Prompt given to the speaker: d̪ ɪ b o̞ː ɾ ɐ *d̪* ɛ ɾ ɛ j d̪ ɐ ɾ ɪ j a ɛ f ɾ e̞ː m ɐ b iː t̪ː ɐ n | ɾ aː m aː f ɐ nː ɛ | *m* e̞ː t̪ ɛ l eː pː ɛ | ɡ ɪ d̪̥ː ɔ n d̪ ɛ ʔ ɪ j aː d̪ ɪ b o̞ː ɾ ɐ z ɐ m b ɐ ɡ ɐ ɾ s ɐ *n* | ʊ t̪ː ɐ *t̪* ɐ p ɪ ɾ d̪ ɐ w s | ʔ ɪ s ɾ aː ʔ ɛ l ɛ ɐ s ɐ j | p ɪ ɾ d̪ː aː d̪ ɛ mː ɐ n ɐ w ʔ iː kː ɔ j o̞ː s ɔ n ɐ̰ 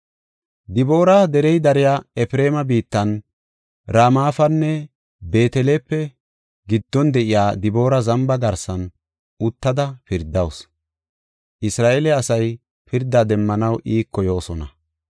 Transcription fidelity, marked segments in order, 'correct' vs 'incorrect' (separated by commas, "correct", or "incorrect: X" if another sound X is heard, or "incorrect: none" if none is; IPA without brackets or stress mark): correct, incorrect: b, correct, incorrect: d̪